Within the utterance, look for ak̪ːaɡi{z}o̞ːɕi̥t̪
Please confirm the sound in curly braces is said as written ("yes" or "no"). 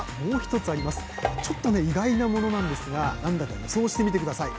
no